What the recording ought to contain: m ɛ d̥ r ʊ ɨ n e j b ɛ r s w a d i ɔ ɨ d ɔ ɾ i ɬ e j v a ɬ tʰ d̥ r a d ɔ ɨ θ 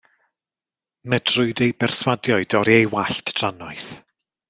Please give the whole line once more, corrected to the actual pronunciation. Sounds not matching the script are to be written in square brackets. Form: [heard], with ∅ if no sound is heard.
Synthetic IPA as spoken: m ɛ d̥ r ʊ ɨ [d] e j b ɛ r s w a d [j] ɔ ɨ d ɔ ɾ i [∅] e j [w] a ɬ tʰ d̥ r a [n] ɔ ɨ θ